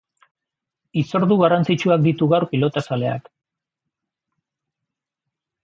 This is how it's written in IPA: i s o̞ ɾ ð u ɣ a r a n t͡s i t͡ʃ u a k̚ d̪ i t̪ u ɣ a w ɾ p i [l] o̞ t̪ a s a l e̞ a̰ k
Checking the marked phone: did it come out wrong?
no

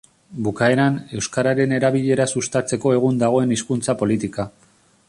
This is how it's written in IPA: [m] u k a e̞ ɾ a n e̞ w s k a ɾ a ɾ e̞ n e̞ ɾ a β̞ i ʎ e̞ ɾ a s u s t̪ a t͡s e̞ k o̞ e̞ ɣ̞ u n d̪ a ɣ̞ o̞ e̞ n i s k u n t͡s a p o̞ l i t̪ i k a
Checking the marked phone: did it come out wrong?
yes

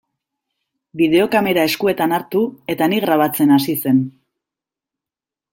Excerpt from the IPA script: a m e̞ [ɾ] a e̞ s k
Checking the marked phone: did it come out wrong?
no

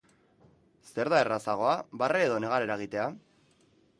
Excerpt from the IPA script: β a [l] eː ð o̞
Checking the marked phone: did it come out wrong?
yes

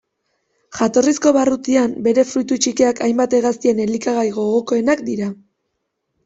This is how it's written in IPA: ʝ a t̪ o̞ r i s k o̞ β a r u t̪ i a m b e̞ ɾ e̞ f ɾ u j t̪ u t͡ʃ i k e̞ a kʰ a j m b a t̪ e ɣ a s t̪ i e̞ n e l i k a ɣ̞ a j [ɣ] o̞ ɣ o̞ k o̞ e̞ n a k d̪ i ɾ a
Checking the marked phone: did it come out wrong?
no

